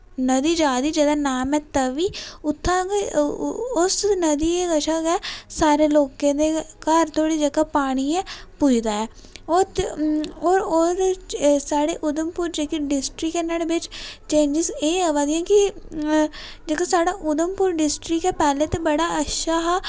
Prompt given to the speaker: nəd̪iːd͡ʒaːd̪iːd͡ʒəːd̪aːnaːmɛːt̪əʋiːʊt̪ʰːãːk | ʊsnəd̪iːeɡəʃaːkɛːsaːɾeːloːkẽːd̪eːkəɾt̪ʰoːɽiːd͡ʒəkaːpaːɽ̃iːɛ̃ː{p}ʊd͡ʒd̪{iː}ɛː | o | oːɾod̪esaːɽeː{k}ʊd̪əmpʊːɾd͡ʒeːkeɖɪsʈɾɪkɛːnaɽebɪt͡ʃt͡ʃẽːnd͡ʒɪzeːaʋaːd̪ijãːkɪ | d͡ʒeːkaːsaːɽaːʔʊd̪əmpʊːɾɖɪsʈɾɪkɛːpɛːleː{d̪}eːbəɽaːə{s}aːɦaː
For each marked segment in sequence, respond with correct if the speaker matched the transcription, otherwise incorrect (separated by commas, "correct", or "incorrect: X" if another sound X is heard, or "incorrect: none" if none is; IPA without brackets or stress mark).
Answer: correct, incorrect: aː, incorrect: ʔ, incorrect: t̪, incorrect: ʃ